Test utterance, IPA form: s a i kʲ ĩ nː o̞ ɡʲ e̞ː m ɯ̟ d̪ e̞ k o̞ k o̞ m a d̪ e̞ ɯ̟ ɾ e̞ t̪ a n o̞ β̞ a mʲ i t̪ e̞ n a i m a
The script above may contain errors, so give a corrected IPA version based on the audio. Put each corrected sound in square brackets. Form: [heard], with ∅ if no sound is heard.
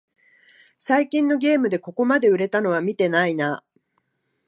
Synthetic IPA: s a i kʲ ĩ nː o̞ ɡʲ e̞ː m ɯ̟ d̪ e̞ k o̞ k o̞ m a d̪ e̞ ɯ̟ ɾ e̞ t̪ a n o̞ β̞ a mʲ i t̪ e̞ n a i [n] a